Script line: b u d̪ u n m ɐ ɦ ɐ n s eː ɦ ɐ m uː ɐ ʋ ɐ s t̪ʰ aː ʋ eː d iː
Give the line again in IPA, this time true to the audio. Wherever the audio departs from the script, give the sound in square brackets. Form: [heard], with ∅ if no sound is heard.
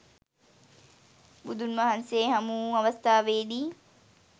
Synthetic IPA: b u d̪ u n m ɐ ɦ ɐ n s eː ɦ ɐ m uː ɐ ʋ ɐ s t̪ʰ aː ʋ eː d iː